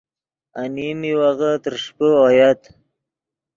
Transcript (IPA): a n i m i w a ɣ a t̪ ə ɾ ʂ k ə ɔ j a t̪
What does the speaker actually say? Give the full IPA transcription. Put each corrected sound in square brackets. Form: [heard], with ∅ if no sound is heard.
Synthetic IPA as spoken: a n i m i w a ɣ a t̪ ə ɾ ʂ [p] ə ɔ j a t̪